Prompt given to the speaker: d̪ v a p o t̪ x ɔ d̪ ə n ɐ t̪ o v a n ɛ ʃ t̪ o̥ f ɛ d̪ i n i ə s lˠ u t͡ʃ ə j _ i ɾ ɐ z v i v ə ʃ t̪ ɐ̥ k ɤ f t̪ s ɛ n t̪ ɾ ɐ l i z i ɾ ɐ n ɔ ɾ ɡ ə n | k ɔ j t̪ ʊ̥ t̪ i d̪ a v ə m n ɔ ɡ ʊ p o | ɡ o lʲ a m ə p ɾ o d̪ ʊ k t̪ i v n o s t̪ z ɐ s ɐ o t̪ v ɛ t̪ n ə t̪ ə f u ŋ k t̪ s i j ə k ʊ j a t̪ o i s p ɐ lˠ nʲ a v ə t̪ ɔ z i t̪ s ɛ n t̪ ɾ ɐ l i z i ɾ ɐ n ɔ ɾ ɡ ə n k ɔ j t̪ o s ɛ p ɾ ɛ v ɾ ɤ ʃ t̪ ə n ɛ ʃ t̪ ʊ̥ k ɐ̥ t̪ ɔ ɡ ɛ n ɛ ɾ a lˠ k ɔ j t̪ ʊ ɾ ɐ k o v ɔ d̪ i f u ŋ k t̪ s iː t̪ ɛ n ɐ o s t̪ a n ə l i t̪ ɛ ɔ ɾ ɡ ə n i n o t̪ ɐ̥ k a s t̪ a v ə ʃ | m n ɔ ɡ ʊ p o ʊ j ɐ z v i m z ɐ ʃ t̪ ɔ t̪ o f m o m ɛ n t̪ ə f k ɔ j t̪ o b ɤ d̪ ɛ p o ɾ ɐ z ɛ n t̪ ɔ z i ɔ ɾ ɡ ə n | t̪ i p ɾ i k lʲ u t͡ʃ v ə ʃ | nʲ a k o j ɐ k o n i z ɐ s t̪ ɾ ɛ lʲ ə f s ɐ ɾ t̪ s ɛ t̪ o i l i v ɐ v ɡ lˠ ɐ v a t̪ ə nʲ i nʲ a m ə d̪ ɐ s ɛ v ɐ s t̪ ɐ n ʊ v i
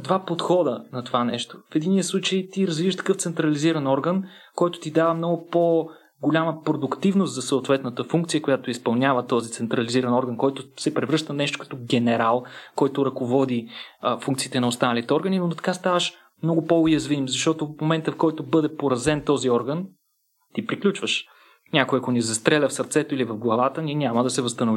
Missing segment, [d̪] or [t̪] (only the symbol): t̪